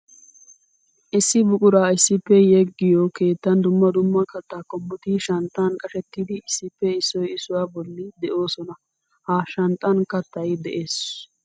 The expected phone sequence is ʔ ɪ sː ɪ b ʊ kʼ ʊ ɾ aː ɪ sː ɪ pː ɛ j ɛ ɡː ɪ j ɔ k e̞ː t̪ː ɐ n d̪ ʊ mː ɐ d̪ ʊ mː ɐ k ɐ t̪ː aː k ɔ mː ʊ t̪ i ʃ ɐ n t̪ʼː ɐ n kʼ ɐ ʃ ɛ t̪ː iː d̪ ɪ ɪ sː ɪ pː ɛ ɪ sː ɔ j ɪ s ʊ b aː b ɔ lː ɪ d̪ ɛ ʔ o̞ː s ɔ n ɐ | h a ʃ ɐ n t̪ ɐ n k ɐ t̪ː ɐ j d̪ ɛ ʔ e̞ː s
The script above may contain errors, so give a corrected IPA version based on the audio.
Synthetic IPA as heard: ʔ ɪ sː ɪ b ʊ kʼ ʊ ɾ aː ɪ sː ɪ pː ɛ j ɛ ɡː ɪ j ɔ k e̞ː t̪ː ɐ n d̪ ʊ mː ɐ d̪ ʊ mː ɐ k ɐ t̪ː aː k ɔ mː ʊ t̪ i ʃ ɐ n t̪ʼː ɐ n kʼ ɐ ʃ ɛ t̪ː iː d̪ ɪ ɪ sː ɪ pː ɛ ɪ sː ɔ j ɪ s ʊ w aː b ɔ lː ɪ d̪ ɛ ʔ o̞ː s ɔ n ɐ | h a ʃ ɐ n t̪ʼ ɐ n k ɐ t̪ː ɐ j d̪ ɛ ʔ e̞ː s

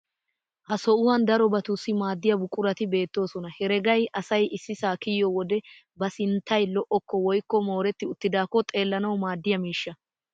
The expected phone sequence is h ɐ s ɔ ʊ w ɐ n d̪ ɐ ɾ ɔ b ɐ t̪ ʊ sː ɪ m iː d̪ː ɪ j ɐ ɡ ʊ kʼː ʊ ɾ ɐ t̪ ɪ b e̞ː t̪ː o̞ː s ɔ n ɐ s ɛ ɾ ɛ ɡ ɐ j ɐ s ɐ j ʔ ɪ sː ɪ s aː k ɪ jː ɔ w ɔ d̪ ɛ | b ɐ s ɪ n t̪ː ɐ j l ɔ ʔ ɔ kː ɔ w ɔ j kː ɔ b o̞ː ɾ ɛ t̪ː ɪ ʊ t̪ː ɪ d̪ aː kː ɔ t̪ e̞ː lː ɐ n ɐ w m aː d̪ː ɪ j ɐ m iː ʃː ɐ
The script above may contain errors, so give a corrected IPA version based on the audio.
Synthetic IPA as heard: h ɐ s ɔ ʊ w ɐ n d̪ ɐ ɾ ɔ b ɐ t̪ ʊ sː ɪ m aː d̪ː ɪ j ɐ b ʊ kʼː ʊ ɾ ɐ t̪ ɪ b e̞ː t̪ː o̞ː s ɔ n ɐ h ɛ ɾ ɛ ɡ ɐ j ɐ s ɐ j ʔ ɪ sː ɪ s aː k ɪ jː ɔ w ɔ d̪ ɛ | b ɐ s ɪ n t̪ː ɐ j l ɔ ʔ ɔ kː ɔ w ɔ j kː ɔ m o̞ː ɾ ɛ t̪ː ɪ ʊ t̪ː ɪ d̪ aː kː ɔ t̪ʼ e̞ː lː ɐ n ɐ w m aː d̪ː ɪ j ɐ m iː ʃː ɐ

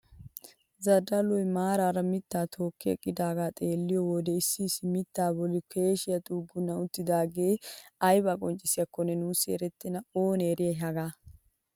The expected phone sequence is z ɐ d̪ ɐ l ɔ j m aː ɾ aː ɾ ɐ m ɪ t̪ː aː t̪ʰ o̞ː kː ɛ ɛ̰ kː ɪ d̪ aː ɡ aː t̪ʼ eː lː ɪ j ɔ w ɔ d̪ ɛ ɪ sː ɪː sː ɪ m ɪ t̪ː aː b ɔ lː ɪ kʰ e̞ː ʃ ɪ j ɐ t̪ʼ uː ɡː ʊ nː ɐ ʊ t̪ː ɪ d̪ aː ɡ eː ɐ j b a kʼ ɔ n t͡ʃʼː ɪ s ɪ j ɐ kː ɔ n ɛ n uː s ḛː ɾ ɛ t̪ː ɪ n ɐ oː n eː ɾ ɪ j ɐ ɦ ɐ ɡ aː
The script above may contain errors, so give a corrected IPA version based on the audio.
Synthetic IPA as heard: z ɐ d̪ ɐ l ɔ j m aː ɾ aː ɾ ɐ m ɪ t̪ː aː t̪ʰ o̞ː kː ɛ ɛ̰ kʼː ɪ d̪ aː ɡ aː t̪ʼ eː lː ɪ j ɔ w ɔ d̪ ɛ ɪ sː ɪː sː ɪ m ɪ t̪ː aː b ɔ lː ɪ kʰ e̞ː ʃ ɪ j ɐ t̪ʼ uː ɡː ʊ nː ɐ ʊ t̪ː ɪ d̪ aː ɡ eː ɐ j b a kʼ ɔ n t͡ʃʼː ɪ s ɪ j ɐ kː ɔ n ɛ n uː s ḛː ɾ ɛ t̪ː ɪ n ɐ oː n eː ɾ ɪ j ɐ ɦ ɐ ɡ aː

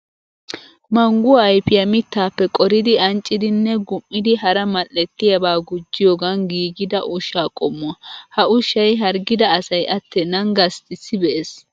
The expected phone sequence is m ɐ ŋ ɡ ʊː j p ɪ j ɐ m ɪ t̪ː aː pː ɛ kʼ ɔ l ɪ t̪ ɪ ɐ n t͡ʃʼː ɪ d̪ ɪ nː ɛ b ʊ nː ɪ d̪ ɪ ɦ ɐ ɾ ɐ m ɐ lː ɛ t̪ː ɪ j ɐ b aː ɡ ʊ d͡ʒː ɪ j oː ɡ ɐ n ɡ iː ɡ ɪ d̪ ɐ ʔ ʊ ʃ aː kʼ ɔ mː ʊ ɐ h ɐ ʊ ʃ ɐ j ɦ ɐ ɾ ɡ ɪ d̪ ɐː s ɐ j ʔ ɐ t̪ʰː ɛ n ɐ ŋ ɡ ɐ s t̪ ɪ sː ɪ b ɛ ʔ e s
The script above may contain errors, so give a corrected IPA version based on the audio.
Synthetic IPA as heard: m ɐ ŋ ɡ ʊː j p ɪ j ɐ m ɪ t̪ː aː pː ɛ kʼ ɔ ɾ ɪ d̪ ɪ ɐ n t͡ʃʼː ɪ d̪ ɪ nː ɛ ɡ ʊ mː ɪ d̪ ɪ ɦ ɐ ɾ ɐ m ɐ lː ɛ t̪ː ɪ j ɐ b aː ɡ ʊ d͡ʒː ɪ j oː ɡ ɐ n ɡ iː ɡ ɪ d̪ ɐ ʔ ʊ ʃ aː kʼ ɔ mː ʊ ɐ h ɐ ʊ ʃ ɐ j ɦ ɐ ɾ ɡ ɪ d̪ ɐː s ɐ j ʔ ɐ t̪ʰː ɛ n ɐ ŋ ɡ ɐ s t̪ ɪ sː ɪ b ɛ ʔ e s

